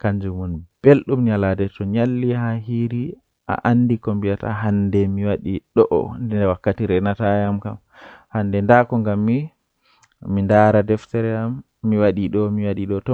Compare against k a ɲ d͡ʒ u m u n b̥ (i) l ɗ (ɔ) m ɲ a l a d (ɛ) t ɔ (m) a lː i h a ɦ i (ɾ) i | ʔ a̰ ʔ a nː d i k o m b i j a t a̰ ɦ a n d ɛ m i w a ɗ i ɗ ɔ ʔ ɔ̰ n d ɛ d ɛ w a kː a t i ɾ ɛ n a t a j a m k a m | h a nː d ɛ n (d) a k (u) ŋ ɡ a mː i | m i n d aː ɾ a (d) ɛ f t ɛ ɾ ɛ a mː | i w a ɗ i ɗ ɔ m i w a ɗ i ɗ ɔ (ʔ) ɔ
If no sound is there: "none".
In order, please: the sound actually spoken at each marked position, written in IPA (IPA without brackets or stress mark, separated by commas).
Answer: e, u, ɛ, ɲ, ɾ, d, ɔ, d, t